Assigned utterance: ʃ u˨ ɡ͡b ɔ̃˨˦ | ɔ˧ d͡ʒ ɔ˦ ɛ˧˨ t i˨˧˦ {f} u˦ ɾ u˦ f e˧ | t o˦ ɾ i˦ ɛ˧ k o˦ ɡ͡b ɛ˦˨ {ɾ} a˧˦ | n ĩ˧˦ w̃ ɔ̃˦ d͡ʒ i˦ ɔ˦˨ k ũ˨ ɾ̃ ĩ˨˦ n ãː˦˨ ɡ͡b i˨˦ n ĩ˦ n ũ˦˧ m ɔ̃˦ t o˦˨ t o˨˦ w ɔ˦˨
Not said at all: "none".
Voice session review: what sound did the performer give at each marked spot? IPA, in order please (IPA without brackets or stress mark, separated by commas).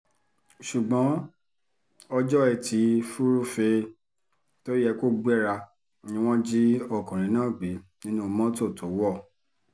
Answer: f, ɾ